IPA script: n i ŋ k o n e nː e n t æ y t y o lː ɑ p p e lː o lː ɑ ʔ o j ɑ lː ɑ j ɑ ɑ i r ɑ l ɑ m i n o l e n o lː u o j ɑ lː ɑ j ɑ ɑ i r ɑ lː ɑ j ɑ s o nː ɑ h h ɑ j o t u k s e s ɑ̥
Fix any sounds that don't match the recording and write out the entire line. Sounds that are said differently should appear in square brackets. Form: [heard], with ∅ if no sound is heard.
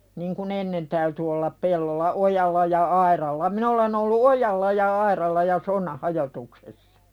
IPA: n i ŋ k [u] n e nː e n t æ y t y o lː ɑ p p e lː o lː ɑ ʔ o j ɑ lː ɑ j ɑ ɑ i r ɑ [lː] ɑ m i n o l e n o lː u o j ɑ lː ɑ j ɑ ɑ i r ɑ lː ɑ j ɑ s o nː ɑ h h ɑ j o t u k s e [sː] ɑ̥